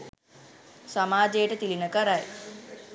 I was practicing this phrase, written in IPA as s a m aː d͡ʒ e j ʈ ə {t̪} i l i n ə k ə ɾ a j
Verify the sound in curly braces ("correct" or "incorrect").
correct